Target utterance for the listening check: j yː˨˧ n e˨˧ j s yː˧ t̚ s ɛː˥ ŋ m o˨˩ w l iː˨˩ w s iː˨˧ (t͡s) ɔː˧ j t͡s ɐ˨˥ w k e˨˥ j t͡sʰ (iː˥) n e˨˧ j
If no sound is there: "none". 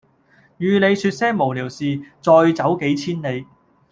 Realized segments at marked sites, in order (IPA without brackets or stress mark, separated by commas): t͡s, iː˥